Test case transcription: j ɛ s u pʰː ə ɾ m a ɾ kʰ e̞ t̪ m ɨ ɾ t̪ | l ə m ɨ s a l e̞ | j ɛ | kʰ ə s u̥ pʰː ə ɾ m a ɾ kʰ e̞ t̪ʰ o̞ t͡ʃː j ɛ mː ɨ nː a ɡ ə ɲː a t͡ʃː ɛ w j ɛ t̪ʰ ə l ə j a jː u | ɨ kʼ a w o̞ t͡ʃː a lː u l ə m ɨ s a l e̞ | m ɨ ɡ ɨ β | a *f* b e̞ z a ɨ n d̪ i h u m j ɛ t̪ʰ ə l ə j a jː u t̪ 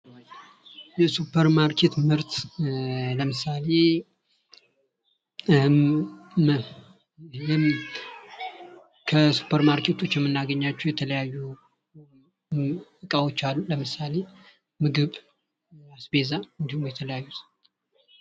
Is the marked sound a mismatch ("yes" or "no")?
yes